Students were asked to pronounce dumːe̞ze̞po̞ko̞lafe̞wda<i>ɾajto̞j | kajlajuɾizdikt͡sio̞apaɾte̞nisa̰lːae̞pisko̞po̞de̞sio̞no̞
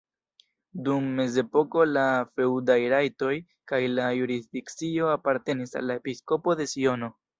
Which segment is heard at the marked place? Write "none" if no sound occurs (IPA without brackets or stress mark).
j